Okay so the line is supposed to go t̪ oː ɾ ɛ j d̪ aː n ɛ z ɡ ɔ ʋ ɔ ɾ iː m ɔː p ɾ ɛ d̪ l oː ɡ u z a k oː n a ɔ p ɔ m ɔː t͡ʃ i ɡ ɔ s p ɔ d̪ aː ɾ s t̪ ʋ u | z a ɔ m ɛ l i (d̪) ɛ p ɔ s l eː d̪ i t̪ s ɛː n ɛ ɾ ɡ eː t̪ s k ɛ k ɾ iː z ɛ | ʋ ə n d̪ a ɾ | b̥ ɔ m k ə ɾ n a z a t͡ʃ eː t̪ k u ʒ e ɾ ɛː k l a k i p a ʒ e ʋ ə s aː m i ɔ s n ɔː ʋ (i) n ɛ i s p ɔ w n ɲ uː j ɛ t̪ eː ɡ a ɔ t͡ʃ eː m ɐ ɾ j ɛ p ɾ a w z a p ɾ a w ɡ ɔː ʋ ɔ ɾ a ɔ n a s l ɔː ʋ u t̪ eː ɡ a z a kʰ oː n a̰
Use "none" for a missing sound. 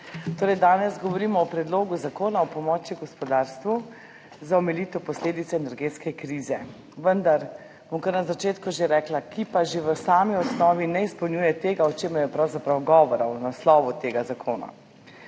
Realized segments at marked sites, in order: t̪, i

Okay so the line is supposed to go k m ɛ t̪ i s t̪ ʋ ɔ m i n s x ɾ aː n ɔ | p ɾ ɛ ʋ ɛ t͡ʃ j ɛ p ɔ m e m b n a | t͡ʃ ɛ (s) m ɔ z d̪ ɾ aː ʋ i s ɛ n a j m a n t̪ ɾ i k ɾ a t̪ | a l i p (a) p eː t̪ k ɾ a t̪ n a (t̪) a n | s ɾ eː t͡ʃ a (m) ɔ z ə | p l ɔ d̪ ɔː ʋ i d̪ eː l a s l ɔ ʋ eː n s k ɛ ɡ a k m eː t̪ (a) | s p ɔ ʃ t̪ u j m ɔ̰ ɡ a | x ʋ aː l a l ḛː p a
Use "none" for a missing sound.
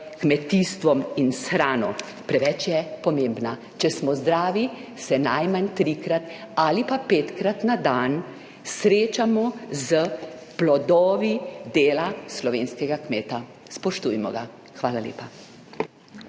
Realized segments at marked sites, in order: s, a, d̪, m, a

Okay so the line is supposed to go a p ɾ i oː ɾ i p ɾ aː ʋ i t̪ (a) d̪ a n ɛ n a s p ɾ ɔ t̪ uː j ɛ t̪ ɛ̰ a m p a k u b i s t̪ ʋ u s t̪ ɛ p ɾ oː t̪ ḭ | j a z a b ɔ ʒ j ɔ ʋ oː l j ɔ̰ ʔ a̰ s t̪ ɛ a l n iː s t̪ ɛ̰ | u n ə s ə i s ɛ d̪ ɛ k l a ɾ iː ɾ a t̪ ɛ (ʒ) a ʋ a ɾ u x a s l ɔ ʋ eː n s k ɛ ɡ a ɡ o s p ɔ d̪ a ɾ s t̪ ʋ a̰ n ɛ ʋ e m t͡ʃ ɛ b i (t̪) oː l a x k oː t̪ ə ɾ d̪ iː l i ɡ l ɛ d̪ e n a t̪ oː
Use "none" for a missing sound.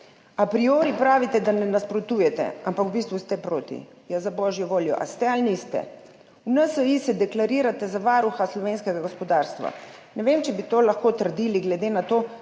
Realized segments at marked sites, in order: ɛ, z, t̪

